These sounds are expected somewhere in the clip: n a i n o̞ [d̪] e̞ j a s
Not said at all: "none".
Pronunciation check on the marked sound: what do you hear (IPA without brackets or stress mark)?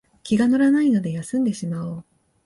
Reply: d̪